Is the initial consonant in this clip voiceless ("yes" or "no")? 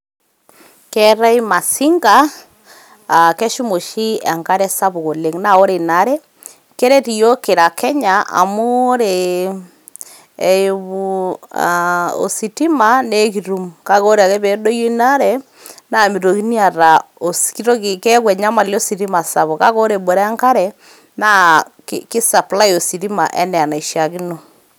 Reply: yes